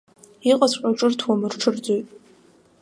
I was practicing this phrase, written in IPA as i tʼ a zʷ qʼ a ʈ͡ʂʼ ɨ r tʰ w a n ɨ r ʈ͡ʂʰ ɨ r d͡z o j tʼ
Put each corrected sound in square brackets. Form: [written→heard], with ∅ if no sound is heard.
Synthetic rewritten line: i [tʼ→qʼ] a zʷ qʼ a ʈ͡ʂʼ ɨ r tʰ w a [n→m] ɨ r ʈ͡ʂʰ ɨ r d͡z o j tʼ